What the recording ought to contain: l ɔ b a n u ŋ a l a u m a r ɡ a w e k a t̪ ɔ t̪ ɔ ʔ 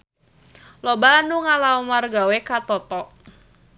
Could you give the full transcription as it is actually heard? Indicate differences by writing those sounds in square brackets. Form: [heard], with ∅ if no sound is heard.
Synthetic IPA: l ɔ b a n u ŋ a l a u m a r ɡ a w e k a t̪ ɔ t̪ ɔ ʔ